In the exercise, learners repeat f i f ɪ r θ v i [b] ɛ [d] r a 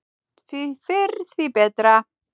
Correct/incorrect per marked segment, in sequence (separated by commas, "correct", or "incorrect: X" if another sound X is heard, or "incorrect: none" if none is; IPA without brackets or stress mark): correct, correct